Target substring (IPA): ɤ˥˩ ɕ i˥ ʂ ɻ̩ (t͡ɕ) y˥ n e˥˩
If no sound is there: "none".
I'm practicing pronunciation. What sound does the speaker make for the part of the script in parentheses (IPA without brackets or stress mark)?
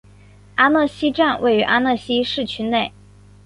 t͡ɕʰ